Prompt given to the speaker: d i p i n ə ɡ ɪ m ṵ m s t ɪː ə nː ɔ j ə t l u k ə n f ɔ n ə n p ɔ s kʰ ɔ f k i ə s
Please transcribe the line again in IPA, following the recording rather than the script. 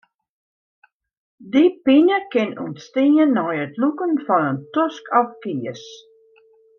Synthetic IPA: d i p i n ə k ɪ n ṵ n s t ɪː ə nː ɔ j ə t l u k ə n f ɔ n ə n t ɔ s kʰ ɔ f k i ə s